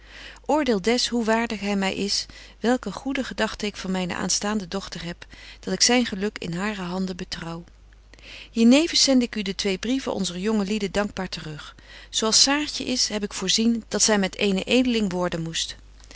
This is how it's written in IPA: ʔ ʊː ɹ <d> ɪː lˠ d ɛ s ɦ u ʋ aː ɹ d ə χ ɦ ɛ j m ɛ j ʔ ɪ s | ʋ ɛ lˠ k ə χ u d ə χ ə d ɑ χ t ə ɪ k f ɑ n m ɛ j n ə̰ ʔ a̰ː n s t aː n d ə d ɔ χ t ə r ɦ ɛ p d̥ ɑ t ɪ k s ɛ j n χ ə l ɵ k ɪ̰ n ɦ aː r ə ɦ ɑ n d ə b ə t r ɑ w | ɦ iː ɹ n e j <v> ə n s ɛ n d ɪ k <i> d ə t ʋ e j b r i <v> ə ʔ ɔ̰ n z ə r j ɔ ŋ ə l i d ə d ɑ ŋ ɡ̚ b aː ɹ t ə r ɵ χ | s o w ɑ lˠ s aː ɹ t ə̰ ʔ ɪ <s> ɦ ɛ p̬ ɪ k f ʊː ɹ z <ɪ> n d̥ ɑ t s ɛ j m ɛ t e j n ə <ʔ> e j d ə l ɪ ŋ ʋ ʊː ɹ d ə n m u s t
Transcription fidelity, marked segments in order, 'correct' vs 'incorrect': correct, correct, incorrect, correct, correct, incorrect, correct

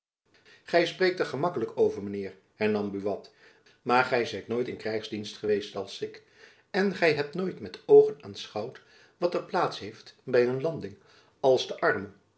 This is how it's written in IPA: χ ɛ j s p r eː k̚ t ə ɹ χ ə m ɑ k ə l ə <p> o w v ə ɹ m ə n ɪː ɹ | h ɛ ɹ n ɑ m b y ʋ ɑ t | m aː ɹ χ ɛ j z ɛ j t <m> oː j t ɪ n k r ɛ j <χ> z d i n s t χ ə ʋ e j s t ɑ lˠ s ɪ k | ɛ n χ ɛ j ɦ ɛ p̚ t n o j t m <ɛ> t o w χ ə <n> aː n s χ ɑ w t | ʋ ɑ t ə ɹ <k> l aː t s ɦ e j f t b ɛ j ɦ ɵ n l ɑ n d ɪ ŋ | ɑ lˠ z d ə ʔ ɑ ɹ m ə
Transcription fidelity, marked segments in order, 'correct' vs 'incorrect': incorrect, incorrect, correct, correct, correct, incorrect

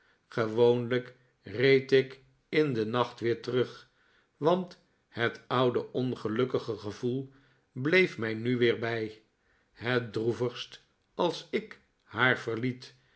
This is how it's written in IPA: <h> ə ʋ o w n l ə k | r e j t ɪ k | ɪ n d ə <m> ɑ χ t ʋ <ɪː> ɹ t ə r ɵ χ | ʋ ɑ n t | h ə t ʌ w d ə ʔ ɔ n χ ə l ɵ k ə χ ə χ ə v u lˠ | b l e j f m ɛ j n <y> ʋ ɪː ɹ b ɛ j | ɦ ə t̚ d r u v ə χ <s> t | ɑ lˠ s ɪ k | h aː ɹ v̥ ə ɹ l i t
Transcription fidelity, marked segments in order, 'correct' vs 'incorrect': incorrect, incorrect, correct, correct, correct

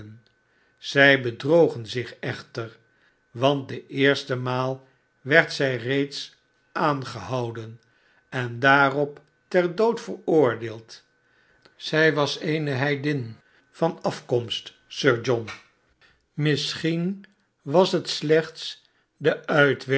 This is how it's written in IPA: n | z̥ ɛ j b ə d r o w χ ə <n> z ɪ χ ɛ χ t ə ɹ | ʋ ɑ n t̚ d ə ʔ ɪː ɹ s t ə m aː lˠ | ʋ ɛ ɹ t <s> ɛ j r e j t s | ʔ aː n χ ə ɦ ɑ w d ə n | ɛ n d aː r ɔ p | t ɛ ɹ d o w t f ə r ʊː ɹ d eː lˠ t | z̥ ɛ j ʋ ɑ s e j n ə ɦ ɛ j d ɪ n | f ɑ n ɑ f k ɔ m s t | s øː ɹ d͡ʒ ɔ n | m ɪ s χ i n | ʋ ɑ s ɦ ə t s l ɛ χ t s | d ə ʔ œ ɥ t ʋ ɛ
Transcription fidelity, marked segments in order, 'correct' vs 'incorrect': correct, correct

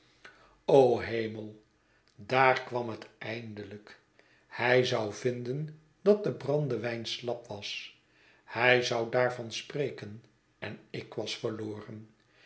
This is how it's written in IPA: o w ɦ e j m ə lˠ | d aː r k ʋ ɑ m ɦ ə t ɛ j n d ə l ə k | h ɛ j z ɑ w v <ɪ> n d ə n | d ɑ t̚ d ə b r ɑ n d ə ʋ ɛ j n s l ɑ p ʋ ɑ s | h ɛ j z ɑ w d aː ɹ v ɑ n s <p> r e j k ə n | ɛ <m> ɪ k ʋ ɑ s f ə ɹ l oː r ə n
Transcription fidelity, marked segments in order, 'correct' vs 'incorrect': correct, correct, incorrect

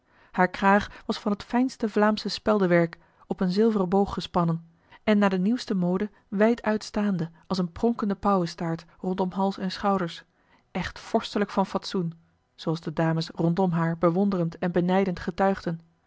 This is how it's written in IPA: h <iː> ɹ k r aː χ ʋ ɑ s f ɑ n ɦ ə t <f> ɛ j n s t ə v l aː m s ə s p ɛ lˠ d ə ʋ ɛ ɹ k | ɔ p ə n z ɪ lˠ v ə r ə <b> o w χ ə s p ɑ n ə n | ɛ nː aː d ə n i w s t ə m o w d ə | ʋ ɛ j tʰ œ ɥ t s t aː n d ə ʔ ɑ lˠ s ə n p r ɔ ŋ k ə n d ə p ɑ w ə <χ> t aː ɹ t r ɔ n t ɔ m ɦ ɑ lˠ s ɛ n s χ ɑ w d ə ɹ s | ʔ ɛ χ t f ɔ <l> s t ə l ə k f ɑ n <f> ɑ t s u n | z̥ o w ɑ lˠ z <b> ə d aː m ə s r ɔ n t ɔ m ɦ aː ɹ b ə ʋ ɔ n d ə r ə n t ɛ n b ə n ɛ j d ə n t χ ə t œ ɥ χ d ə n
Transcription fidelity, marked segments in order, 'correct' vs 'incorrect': incorrect, correct, correct, incorrect, incorrect, correct, incorrect

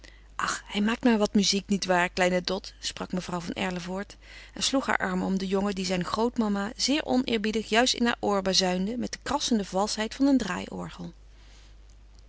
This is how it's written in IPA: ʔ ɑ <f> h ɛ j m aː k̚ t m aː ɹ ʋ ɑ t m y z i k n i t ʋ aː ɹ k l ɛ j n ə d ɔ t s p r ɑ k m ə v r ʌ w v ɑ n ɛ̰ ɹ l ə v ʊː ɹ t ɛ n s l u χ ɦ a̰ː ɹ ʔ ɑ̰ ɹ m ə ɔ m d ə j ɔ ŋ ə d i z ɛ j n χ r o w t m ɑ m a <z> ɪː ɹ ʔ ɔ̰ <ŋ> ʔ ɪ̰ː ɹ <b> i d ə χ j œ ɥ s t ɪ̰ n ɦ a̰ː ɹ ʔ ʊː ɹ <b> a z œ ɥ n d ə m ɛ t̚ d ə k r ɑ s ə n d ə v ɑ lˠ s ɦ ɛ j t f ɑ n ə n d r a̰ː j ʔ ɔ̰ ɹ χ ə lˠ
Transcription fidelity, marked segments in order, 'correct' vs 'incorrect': incorrect, correct, incorrect, correct, correct

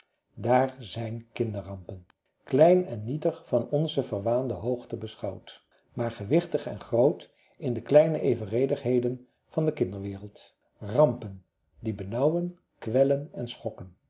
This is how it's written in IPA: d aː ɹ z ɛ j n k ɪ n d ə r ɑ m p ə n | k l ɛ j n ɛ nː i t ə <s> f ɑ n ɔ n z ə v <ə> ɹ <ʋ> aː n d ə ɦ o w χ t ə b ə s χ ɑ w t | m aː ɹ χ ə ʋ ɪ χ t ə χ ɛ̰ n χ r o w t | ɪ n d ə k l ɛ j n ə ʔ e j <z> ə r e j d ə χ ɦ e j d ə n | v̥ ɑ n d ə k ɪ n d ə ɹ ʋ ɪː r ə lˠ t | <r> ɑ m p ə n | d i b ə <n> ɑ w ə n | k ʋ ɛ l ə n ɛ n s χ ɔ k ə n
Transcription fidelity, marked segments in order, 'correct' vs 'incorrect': incorrect, correct, correct, incorrect, correct, correct

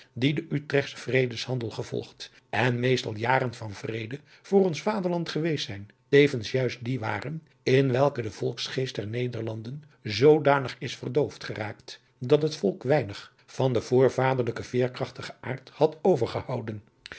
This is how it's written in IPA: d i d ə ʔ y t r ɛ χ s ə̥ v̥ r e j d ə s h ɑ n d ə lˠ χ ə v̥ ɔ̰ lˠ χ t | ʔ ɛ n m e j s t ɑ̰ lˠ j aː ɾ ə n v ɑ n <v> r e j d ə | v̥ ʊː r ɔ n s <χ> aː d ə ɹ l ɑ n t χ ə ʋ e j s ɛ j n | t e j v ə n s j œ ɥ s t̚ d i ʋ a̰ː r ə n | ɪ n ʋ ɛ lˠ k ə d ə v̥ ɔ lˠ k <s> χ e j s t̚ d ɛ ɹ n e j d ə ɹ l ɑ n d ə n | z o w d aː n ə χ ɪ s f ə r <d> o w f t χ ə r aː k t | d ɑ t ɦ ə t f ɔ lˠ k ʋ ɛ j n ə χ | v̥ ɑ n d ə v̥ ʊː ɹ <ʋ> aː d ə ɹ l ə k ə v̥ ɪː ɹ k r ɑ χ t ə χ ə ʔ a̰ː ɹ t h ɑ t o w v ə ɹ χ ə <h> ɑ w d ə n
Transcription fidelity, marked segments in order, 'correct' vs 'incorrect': correct, incorrect, correct, correct, incorrect, correct

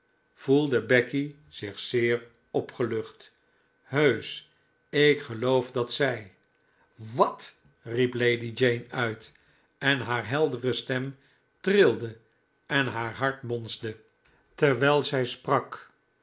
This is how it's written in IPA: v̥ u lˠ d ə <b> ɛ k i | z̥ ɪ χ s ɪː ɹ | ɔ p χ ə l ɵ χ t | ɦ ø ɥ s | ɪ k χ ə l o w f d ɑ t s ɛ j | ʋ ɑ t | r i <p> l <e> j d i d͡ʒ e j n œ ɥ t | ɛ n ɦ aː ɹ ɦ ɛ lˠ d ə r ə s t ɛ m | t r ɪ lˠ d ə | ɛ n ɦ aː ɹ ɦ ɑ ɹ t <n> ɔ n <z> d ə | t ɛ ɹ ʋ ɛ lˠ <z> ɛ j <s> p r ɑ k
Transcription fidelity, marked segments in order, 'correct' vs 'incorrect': correct, correct, correct, incorrect, correct, correct, correct

